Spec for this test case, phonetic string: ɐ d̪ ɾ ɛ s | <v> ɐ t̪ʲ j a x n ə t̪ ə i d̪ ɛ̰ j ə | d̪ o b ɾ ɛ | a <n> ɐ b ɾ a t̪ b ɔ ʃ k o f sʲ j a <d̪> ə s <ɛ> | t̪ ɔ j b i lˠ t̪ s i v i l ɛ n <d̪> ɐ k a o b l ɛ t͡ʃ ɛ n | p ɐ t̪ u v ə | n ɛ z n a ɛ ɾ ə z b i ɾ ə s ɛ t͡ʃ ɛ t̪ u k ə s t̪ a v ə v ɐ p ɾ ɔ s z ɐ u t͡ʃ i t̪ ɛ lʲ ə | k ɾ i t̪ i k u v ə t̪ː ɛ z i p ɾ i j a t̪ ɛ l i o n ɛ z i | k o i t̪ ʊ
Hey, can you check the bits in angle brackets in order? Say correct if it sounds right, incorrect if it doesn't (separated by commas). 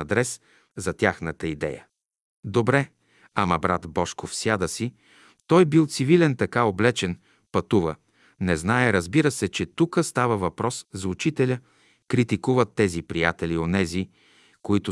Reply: incorrect, incorrect, correct, incorrect, incorrect